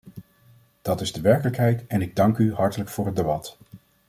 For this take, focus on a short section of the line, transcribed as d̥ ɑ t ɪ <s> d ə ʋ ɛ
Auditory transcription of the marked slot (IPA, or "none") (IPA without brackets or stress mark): z